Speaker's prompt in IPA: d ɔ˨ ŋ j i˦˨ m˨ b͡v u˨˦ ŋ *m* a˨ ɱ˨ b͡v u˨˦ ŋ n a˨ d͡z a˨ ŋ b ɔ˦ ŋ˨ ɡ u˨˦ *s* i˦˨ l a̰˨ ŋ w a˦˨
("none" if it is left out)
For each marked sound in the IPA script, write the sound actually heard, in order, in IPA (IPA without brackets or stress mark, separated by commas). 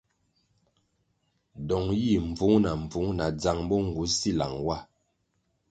n, s